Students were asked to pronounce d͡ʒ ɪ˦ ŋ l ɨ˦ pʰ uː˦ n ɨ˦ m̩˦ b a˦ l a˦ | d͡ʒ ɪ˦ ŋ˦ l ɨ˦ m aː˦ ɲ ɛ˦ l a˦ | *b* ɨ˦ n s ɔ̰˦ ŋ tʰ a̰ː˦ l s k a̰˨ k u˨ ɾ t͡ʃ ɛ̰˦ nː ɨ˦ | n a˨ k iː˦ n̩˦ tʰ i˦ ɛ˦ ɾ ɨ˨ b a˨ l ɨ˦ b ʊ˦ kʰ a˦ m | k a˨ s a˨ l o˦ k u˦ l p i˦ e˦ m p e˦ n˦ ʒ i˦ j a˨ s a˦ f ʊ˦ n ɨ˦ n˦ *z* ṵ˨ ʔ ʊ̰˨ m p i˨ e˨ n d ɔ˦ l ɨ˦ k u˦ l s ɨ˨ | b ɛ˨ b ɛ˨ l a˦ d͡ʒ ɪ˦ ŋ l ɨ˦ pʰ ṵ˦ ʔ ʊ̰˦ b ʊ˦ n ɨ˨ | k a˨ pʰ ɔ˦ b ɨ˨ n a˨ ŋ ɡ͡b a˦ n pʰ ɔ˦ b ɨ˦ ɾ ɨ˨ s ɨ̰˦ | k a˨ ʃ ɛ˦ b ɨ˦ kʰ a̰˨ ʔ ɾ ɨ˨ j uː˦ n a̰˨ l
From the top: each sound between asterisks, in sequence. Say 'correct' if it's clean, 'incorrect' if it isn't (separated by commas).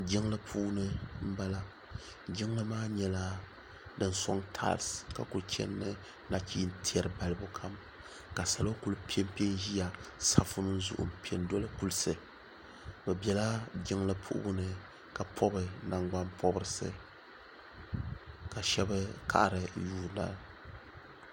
incorrect, correct